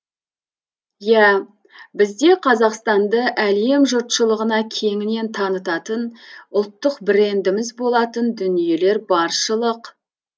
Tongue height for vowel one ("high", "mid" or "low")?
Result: low